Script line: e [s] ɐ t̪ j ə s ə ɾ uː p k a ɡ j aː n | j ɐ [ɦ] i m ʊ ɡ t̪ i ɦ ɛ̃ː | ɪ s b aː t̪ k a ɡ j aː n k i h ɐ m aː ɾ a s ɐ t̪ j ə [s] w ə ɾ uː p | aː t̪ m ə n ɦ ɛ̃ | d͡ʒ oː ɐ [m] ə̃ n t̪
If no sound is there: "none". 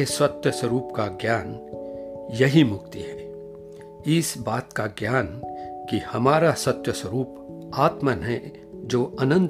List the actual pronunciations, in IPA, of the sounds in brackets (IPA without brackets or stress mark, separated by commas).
s, ɦ, s, n